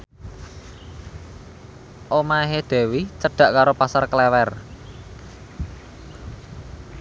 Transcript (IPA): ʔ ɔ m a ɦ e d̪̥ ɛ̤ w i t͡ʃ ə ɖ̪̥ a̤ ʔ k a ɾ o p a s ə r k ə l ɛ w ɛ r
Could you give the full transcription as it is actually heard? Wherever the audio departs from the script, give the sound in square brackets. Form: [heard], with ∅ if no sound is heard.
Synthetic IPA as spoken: ʔ [o] m a ɦ e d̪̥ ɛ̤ w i t͡ʃ ə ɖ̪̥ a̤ ʔ k a ɾ o p a s [a] r k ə l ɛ w ɛ r